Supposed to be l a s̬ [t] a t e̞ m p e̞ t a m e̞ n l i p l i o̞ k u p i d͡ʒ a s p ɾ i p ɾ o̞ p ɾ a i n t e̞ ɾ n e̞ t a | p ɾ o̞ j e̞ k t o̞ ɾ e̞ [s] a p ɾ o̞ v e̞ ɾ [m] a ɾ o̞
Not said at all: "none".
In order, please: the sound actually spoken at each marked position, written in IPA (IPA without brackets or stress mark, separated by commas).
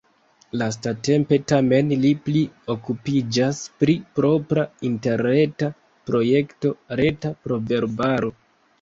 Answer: t, t, b